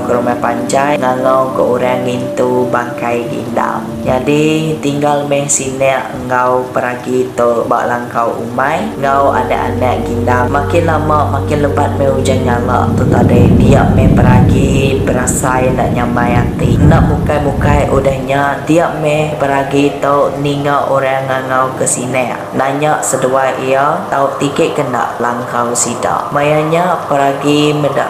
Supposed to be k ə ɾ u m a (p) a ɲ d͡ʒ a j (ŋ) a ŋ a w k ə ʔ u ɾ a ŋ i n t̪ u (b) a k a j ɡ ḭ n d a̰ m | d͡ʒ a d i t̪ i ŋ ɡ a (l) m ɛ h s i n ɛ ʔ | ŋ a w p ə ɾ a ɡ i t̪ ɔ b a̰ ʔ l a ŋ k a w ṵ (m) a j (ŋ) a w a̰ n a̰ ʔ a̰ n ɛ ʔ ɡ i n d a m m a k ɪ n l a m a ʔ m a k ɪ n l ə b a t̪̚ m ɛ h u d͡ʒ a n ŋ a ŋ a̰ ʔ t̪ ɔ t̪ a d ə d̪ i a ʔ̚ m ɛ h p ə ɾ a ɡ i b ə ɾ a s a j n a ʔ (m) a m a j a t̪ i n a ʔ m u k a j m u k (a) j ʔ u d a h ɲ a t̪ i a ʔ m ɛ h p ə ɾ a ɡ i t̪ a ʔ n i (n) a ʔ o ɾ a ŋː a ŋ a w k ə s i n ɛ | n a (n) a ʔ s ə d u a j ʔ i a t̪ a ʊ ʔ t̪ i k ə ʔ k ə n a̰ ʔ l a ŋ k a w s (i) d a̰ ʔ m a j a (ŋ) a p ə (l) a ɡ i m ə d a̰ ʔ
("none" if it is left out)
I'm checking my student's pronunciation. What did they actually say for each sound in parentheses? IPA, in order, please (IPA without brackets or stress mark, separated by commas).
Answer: p, ŋ, b, l, m, ŋ, ɲ, a, ŋ, ɲ, i, ɲ, ɾ